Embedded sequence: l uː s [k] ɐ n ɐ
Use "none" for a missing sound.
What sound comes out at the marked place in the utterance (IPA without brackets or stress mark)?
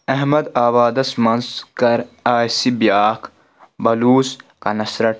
k